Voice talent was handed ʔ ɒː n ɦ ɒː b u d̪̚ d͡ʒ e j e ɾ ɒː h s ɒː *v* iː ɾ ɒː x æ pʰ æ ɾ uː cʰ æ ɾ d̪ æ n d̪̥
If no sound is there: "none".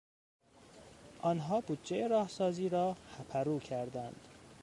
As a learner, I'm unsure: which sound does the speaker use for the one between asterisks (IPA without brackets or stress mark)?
z